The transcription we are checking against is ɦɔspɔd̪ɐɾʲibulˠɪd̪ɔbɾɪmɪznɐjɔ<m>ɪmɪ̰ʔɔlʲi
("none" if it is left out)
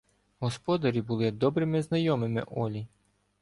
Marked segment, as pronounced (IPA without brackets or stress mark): m